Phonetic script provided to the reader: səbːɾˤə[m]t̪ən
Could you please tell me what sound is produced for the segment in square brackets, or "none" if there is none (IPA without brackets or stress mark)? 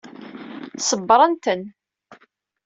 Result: n